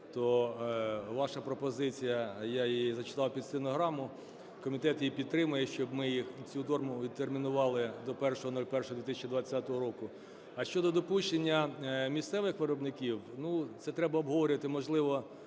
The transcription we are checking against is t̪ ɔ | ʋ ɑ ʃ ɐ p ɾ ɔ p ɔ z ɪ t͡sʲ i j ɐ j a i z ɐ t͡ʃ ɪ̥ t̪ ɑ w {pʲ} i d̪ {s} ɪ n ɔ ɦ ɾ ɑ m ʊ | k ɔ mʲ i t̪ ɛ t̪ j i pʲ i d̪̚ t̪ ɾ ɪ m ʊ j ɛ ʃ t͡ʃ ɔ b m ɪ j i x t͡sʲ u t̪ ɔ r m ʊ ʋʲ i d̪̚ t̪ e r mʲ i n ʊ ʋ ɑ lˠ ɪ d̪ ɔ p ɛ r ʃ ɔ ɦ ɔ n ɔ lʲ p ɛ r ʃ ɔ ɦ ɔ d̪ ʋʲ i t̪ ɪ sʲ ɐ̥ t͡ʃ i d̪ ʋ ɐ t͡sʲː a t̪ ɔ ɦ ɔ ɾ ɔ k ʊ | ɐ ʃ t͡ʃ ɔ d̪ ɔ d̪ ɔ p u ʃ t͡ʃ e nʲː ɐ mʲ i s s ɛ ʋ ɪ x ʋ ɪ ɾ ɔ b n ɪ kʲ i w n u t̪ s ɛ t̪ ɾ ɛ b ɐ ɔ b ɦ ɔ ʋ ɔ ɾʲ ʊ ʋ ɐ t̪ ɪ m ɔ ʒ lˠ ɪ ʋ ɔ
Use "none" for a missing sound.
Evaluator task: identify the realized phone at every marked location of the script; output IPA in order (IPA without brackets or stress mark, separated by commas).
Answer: pʲ, s